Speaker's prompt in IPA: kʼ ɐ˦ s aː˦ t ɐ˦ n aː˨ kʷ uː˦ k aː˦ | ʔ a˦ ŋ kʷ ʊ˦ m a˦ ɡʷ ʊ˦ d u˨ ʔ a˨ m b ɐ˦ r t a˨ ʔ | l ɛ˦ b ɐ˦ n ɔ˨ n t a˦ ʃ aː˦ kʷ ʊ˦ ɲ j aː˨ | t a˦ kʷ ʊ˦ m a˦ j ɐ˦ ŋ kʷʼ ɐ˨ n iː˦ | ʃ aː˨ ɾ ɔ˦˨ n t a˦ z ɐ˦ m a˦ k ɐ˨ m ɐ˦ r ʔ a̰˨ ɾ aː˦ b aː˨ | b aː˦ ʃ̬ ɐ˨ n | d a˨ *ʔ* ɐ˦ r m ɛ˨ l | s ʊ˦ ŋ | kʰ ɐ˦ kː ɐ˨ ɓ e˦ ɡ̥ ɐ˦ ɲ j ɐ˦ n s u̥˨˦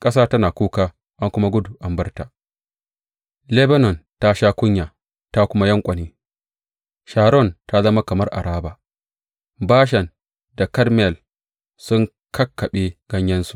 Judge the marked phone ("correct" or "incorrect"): incorrect